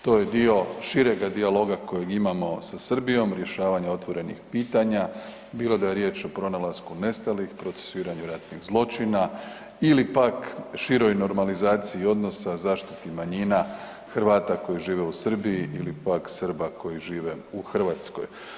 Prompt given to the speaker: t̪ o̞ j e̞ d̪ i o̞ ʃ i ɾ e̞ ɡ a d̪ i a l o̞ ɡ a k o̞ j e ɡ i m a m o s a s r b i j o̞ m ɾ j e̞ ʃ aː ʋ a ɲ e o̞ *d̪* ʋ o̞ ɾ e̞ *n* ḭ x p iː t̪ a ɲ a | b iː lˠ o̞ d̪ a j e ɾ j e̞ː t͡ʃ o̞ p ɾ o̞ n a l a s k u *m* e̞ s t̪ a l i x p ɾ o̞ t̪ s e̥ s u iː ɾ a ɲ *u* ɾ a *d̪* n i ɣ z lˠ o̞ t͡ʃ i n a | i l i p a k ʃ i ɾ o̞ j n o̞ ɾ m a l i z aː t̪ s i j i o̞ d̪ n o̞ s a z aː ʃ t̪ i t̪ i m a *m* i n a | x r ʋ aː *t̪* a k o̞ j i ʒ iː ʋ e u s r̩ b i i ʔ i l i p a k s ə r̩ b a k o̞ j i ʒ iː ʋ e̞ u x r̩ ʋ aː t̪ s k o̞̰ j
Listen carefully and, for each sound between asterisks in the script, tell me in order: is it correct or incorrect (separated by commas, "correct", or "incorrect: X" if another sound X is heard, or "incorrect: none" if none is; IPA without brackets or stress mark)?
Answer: incorrect: t̪, correct, incorrect: n, correct, incorrect: t̪, incorrect: ɲ, correct